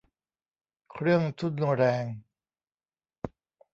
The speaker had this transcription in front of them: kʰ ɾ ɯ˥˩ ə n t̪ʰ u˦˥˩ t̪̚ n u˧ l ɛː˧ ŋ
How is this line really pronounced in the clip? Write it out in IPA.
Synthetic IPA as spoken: kʰ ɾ ɯ˥˩ ə ŋ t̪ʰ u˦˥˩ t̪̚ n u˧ ɾ ɛː˧ ŋ